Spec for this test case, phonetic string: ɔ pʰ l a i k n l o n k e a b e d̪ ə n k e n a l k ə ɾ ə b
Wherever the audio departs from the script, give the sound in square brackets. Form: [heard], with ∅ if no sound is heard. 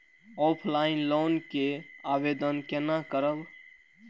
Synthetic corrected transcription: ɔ pʰ l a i [∅] n l o n k e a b e d̪ ə n k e n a [∅] k ə ɾ ə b